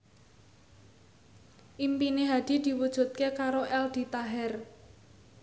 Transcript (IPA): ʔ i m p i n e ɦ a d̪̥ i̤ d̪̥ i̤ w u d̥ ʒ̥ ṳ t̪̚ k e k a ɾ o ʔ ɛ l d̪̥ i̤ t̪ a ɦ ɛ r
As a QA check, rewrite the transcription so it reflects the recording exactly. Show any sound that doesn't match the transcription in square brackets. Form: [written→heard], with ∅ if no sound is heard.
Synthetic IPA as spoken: ʔ i m p i n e ɦ a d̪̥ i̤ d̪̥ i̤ w u d̥ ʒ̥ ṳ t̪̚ k e k a ɾ o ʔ ɛ l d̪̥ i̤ t̪ a ɦ ɛ r